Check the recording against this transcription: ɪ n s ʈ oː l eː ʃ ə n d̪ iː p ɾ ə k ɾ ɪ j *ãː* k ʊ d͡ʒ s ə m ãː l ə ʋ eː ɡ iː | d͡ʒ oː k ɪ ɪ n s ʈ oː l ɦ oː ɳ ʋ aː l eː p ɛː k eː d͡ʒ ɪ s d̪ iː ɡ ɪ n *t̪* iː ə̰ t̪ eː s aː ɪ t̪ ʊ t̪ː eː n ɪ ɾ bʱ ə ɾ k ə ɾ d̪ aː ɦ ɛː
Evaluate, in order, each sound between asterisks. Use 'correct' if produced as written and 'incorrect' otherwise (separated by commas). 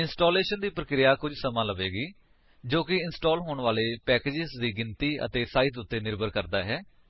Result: incorrect, correct